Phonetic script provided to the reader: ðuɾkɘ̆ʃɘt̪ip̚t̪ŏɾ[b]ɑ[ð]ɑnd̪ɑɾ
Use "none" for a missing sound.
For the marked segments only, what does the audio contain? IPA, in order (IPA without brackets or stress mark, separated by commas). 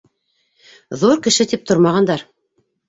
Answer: m, ʁ